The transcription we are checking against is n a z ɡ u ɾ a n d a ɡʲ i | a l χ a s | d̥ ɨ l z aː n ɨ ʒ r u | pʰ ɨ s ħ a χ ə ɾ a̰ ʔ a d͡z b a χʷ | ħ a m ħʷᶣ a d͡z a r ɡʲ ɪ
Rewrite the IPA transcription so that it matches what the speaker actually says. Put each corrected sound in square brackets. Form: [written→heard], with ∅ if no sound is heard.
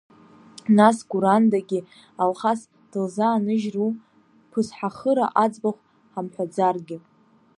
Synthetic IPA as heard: n a [z→s] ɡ u ɾ a n d a ɡʲ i | a l χ a s | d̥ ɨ l z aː n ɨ ʒ r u | pʰ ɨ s ħ a χ ə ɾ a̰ ʔ a d͡z b a χʷ | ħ a m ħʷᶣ a d͡z a r ɡʲ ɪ